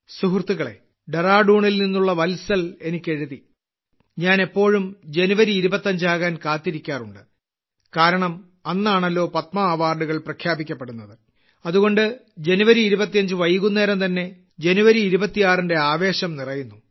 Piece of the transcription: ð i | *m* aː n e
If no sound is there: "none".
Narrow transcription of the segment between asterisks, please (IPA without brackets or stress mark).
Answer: ɲ